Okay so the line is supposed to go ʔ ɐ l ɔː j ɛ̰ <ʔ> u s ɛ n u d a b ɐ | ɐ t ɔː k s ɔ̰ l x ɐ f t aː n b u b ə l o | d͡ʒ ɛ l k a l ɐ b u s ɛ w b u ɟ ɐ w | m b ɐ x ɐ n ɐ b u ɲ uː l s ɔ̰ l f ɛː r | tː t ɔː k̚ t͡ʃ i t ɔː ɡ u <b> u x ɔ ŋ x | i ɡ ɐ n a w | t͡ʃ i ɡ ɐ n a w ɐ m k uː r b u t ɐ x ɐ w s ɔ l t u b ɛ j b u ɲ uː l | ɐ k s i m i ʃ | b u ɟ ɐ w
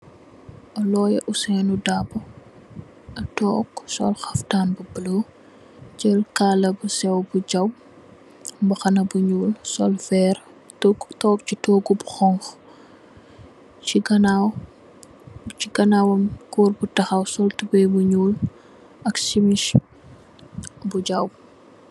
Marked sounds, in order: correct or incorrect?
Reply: correct, correct

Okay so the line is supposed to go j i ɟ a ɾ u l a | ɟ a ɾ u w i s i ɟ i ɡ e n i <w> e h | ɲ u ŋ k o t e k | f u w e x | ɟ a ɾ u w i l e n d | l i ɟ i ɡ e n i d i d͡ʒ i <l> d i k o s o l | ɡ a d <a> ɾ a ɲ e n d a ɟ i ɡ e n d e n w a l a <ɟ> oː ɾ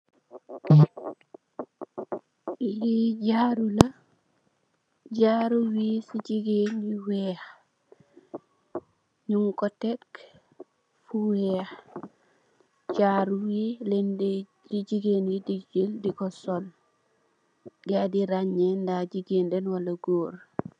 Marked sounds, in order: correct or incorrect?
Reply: correct, correct, incorrect, incorrect

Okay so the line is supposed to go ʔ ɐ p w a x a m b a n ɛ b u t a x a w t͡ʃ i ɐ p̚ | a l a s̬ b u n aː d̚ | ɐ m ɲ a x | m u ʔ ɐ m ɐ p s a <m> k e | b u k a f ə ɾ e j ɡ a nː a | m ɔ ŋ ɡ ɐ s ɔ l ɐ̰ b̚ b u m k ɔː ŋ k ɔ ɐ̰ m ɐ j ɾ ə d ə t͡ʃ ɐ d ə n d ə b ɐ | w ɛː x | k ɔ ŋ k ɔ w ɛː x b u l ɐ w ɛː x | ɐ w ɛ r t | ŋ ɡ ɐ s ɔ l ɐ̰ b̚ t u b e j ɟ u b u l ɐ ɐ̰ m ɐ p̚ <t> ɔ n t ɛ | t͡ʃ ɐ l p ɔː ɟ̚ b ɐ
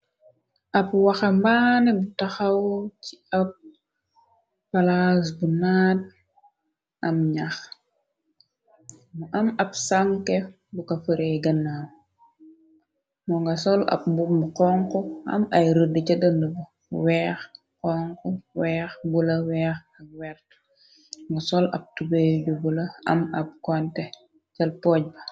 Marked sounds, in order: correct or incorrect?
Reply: incorrect, incorrect

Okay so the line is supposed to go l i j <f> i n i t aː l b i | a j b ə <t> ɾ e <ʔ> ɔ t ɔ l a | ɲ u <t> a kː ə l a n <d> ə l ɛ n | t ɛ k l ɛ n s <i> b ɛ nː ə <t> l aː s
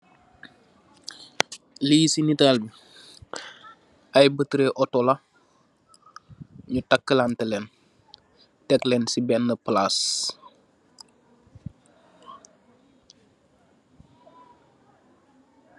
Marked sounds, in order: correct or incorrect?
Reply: incorrect, correct, correct, correct, incorrect, correct, incorrect

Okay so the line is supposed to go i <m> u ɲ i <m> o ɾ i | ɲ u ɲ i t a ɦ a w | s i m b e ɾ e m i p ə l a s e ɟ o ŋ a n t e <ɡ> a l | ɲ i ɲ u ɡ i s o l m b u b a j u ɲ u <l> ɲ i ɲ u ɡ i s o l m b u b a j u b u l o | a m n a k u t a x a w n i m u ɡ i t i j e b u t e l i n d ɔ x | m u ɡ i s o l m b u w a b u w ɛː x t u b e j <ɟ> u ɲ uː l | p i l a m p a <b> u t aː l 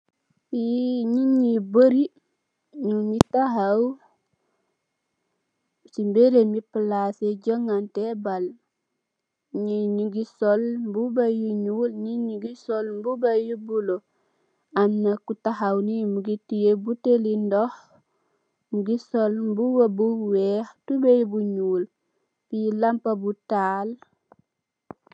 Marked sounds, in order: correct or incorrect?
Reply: incorrect, incorrect, incorrect, correct, incorrect, correct

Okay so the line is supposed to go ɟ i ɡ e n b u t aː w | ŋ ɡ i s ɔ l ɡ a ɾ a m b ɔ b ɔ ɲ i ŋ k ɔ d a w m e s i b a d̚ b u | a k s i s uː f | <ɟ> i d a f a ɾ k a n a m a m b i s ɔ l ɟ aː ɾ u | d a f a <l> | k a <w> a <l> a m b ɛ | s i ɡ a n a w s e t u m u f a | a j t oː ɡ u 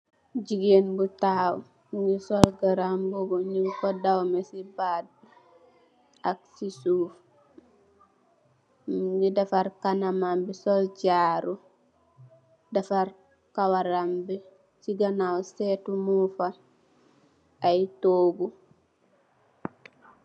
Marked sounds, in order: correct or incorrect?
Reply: incorrect, incorrect, correct, incorrect

